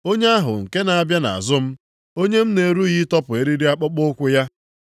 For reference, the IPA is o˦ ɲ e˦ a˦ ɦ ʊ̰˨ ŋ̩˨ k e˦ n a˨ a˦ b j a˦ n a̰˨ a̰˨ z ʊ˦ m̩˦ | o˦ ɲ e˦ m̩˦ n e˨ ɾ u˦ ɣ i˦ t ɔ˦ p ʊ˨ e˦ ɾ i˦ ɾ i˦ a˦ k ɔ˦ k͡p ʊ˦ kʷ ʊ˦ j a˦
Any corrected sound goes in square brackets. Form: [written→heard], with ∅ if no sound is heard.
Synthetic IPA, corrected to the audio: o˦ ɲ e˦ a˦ ɦ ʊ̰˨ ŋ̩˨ k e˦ n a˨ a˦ b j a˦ n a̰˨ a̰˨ z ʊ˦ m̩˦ | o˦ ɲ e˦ m̩˦ n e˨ ɾ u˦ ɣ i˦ t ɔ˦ p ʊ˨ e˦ ɾ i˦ ɾ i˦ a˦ [k→k͡p] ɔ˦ k͡p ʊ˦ kʷ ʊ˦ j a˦